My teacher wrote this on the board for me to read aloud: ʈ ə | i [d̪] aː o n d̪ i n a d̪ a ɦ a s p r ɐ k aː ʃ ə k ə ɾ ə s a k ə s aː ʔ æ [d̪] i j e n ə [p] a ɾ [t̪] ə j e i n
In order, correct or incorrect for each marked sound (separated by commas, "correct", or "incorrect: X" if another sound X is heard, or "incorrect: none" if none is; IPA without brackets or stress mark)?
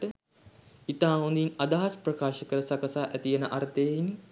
incorrect: t̪, incorrect: t̪, incorrect: ʔ, correct